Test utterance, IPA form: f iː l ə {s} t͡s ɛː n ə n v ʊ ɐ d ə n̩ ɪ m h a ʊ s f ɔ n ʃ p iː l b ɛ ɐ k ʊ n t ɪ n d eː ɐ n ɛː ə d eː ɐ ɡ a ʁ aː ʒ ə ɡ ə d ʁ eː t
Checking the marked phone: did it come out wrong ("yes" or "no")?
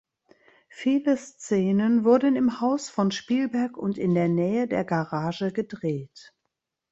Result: no